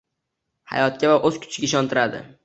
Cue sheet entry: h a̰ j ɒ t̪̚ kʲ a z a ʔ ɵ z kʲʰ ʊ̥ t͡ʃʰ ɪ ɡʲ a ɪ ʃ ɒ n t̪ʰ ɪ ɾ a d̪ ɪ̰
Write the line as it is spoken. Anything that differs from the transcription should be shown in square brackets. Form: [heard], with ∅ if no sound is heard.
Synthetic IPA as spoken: h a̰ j ɒ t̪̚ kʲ a [v] a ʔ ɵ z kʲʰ ʊ̥ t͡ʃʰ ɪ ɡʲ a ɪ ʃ ɒ n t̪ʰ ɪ ɾ a d̪ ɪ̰